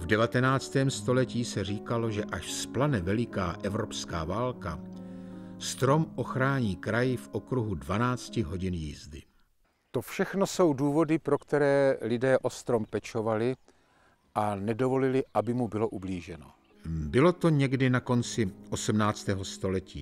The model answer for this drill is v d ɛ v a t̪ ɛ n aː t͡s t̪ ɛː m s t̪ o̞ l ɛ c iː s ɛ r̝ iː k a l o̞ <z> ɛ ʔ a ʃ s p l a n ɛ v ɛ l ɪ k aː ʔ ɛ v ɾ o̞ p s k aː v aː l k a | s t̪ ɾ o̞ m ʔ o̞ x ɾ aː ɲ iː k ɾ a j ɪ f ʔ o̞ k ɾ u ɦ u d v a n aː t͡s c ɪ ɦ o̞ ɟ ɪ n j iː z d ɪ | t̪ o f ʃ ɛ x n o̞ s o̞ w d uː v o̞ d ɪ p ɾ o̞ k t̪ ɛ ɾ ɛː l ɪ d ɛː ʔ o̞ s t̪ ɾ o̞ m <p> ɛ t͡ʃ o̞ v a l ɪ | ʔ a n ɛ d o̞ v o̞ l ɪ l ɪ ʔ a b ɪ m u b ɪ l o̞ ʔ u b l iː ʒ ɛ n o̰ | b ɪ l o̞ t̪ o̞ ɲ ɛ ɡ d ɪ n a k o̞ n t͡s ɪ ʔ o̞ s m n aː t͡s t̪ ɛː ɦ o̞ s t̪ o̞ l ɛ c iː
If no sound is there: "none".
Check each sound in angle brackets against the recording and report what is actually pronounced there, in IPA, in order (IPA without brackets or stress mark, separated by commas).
ʒ, p